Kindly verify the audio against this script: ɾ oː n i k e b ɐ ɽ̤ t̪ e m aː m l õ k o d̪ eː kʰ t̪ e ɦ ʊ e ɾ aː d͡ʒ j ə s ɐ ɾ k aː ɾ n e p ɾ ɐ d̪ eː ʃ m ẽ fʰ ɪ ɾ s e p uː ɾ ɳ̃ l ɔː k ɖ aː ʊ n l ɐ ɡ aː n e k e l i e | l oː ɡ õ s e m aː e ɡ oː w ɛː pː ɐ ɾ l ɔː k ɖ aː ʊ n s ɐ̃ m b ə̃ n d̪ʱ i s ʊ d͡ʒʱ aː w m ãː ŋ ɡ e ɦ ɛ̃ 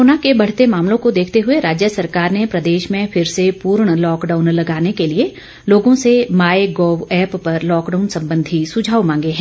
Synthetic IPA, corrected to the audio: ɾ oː n a k e b ɐ ɽ̤ t̪ e m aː m l õ k o d̪ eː kʰ t̪ e ɦ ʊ e ɾ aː d͡ʒ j ə s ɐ ɾ k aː ɾ n e p ɾ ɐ d̪ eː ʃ m ẽ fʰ ɪ ɾ s e p uː ɾ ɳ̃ l ɔː k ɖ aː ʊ n l ɐ ɡ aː n e k e l i e | l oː ɡ õ s e m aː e ɡ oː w ɛː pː ɐ ɾ l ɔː k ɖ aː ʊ n s ɐ̃ m b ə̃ n d̪ʱ i s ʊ d͡ʒʱ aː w m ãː ŋ ɡ e ɦ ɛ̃